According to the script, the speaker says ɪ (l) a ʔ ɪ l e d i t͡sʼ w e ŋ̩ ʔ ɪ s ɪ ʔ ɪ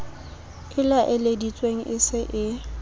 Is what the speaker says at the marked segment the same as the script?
yes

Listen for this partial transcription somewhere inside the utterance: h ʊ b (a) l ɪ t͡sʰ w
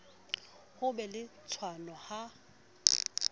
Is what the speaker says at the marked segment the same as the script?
no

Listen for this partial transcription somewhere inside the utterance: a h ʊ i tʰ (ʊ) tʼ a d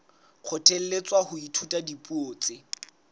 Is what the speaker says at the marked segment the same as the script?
no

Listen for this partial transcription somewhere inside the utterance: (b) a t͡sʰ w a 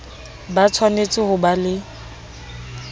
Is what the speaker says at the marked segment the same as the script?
yes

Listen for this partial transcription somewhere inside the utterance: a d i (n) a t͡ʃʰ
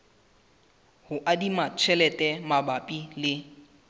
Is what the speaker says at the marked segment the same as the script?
no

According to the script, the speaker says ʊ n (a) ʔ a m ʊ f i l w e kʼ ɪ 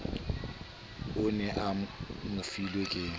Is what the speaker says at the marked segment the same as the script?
no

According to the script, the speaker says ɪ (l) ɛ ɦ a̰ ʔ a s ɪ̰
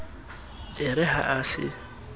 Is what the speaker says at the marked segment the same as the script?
no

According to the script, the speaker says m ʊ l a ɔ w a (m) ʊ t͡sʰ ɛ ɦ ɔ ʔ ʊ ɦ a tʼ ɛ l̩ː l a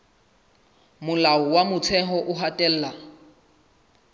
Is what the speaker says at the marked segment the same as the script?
yes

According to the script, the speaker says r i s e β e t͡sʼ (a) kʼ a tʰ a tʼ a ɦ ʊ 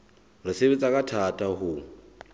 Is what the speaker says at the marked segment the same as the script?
yes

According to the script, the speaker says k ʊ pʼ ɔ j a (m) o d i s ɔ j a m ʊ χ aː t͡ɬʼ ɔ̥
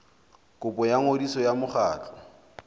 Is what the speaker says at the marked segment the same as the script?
no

